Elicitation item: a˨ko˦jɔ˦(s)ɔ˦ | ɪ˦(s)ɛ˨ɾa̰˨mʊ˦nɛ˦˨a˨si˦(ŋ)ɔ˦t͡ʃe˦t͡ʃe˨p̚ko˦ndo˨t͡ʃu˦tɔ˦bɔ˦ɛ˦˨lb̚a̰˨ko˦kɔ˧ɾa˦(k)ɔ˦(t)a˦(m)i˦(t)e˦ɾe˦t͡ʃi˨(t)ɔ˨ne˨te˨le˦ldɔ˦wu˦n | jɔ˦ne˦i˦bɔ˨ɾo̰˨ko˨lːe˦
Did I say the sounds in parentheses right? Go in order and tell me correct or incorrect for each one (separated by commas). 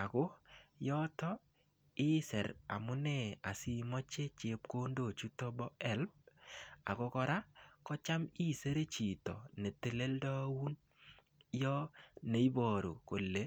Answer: incorrect, correct, incorrect, correct, incorrect, correct, incorrect, correct